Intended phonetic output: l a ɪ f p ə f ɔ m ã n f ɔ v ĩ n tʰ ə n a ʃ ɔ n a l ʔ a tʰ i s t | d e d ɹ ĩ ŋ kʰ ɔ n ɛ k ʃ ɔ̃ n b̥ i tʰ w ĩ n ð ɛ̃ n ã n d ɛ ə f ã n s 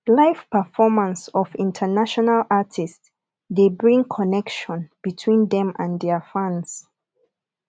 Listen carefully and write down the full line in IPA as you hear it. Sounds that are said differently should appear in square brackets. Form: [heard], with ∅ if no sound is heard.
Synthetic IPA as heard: l a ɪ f p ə f ɔ m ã n [s] ɔ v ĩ n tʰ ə n a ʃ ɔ n a l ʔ a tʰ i s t | d e [b] ɹ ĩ ŋ kʰ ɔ n ɛ k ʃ ɔ̃ n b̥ i tʰ w ĩ n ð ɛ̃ [m] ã n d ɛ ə f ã n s